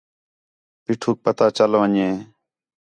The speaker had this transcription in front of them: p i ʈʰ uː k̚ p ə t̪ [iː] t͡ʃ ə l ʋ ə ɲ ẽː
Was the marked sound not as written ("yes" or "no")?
yes